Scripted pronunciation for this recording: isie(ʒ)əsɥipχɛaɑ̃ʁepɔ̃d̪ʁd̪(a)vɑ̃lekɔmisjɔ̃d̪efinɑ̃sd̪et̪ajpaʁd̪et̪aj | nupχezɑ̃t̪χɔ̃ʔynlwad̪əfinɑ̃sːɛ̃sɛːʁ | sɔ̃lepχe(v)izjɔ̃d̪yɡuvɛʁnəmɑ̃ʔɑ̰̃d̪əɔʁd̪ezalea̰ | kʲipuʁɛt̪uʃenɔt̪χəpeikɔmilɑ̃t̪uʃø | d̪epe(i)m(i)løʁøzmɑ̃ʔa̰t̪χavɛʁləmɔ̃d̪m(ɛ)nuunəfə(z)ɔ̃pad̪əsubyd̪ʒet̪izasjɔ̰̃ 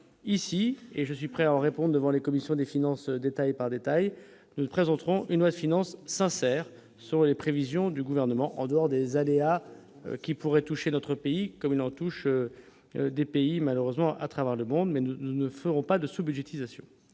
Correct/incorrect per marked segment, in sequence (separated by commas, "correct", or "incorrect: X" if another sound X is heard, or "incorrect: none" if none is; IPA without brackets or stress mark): correct, incorrect: ə, correct, correct, incorrect: a, correct, incorrect: ʁ